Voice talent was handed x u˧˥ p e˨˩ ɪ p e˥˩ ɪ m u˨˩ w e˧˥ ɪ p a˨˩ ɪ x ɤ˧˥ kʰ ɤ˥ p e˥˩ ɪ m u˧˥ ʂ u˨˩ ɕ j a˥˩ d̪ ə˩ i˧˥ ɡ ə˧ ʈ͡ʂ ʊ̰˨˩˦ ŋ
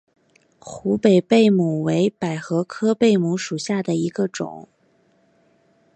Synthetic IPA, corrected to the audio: x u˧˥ p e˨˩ ɪ p e˥˩ ɪ m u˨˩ w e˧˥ ɪ p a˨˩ ɪ x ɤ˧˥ kʰ ɤ˥ p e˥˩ ɪ m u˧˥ ʂ u˨˩ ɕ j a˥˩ d̪ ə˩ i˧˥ ɡ ə˧ ʈ͡ʂ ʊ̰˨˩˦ ŋ